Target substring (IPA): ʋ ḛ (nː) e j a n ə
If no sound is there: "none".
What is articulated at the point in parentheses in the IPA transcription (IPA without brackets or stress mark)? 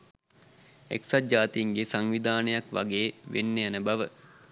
nː